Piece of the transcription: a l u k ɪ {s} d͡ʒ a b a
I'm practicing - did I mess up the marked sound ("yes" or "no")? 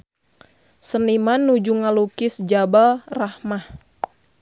no